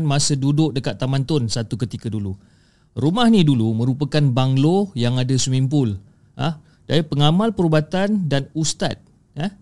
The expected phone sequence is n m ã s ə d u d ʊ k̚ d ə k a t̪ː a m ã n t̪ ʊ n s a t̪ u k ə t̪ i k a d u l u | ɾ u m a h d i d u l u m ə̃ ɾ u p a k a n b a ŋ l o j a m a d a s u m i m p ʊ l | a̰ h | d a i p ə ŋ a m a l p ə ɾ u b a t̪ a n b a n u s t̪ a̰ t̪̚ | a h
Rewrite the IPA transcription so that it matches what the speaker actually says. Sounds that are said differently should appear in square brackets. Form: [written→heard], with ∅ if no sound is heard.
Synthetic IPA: n m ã s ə d u d ʊ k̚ d ə k a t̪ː a m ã n t̪ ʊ n s a t̪ u k ə t̪ i k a d u l u | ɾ u m a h [d→n] i d u l u m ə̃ ɾ u p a k a n b a ŋ l o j a [m→ŋ] a d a s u m i m p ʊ l | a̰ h | d a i p ə ŋ a m a l p ə ɾ u b a t̪ a n [b→d] a n u s t̪ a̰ t̪̚ | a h